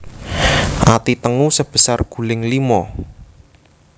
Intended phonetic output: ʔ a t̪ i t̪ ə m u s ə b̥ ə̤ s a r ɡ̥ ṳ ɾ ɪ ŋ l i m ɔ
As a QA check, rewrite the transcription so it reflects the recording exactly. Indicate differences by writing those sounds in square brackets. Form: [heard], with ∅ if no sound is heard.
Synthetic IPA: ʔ a t̪ i t̪ ə [ŋ] u s ə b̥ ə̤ s a r ɡ̥ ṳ [l] ɪ ŋ l i m ɔ

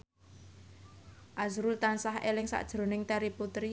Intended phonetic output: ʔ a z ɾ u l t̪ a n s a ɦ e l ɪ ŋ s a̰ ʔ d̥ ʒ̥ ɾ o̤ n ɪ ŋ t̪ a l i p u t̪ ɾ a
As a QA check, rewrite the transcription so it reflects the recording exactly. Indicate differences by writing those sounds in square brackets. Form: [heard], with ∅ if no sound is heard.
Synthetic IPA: ʔ a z ɾ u l t̪ a n s a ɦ e l ɪ ŋ s a̰ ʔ d̥ ʒ̥ ɾ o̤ n ɪ ŋ t̪ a [ɾ] i p u t̪ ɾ [i]

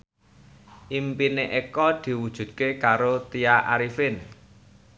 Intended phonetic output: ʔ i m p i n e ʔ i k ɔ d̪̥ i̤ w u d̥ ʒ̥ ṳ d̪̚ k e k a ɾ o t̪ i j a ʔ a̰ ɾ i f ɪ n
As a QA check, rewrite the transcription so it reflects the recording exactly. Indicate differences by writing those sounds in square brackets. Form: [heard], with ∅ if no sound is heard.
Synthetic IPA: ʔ i m p i n e ʔ [e] k ɔ d̪̥ i̤ w u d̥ ʒ̥ ṳ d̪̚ k e k a ɾ o t̪ i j a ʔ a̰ ɾ i f ɪ n

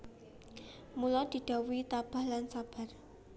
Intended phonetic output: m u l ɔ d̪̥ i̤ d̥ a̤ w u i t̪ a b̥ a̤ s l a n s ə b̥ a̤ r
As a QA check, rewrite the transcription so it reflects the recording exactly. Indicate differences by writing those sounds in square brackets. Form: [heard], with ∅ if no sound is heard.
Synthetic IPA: m u l ɔ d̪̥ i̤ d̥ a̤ w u i t̪ a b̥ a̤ [h] l a n s [a] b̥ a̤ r

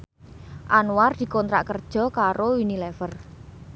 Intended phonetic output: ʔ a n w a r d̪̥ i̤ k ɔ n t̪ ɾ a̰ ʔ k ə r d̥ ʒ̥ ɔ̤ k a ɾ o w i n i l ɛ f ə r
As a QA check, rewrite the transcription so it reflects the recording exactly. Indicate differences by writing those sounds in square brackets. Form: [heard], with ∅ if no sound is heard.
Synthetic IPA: ʔ a n w a r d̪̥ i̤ k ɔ n t̪ ɾ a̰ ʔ k ə r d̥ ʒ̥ ɔ̤ k a ɾ o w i n i l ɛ f ə r

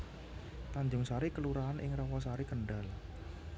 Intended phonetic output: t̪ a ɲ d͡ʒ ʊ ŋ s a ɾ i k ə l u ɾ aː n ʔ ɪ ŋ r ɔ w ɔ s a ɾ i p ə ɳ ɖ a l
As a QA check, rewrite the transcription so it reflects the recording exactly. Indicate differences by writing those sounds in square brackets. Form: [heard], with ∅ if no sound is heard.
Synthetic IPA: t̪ a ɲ d͡ʒ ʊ ŋ s a ɾ i k ə l u ɾ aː n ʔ ɪ ŋ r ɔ w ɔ s a ɾ i [k] ə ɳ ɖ a l

